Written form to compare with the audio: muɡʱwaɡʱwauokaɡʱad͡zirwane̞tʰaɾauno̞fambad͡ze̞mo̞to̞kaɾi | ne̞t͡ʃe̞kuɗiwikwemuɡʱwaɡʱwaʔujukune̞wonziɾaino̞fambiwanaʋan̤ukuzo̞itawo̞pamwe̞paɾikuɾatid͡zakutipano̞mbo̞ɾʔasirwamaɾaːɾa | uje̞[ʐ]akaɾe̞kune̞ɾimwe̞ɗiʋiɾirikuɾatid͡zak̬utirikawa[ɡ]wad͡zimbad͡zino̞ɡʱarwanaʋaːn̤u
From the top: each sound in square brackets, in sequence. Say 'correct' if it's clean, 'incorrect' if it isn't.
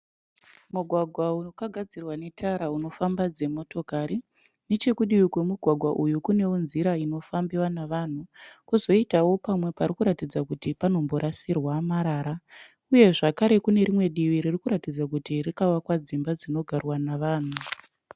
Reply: correct, incorrect

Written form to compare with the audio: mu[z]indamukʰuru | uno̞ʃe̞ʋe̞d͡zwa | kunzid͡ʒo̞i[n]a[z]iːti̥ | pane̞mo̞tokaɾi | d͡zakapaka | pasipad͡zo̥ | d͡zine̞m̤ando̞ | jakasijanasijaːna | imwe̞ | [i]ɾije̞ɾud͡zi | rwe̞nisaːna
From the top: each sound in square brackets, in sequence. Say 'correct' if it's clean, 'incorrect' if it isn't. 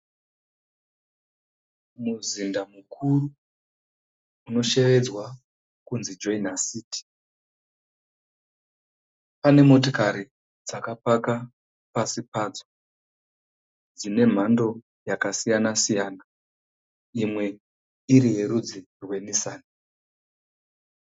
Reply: correct, correct, incorrect, correct

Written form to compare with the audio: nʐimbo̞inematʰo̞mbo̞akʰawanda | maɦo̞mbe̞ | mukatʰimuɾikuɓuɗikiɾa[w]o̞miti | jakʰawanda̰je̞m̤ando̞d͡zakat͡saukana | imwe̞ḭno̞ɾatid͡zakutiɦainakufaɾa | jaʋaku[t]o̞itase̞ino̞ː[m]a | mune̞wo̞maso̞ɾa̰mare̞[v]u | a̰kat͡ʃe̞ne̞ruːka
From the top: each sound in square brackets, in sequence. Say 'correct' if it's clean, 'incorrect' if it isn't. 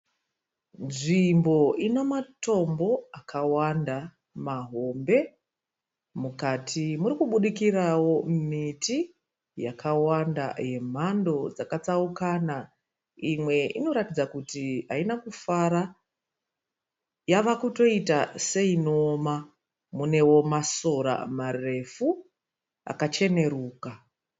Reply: correct, correct, correct, incorrect

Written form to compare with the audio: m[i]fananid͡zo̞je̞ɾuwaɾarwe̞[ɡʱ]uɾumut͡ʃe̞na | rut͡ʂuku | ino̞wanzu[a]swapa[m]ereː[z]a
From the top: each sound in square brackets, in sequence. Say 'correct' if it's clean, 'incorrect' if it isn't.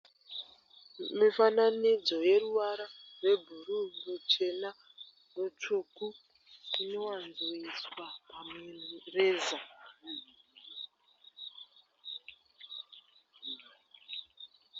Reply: correct, incorrect, incorrect, correct, correct

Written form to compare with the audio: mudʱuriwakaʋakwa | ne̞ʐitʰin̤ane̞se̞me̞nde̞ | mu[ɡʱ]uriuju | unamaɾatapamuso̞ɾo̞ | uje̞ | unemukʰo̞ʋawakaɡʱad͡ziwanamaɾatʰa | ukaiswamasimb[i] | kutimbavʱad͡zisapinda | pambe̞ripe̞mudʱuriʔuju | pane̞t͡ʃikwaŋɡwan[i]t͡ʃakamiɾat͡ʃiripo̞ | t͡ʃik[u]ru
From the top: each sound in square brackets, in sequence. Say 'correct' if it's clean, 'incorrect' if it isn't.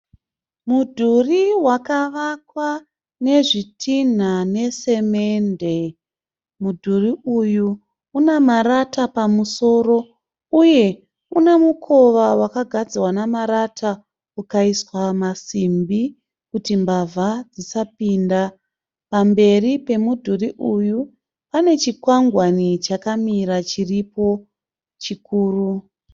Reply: incorrect, correct, correct, incorrect

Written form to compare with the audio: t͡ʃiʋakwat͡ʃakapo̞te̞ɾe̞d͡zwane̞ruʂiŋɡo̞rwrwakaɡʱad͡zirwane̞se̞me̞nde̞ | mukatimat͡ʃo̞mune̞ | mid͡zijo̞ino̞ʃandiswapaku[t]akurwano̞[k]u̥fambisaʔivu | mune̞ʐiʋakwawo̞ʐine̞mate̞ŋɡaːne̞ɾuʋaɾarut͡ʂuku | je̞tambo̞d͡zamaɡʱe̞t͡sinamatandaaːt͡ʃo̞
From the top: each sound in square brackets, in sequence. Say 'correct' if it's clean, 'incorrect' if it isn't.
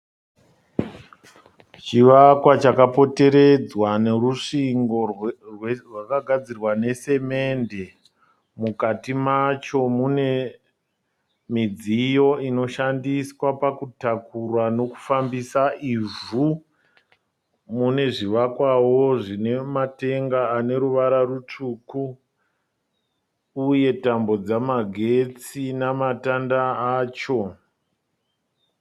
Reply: correct, correct

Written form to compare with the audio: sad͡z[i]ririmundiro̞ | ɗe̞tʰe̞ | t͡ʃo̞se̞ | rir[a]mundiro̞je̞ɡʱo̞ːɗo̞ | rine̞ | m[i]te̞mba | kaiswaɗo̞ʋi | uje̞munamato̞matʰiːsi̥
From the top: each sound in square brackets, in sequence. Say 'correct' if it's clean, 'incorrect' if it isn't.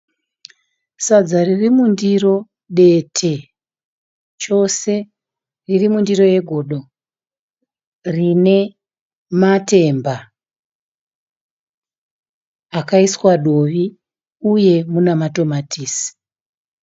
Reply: incorrect, incorrect, incorrect

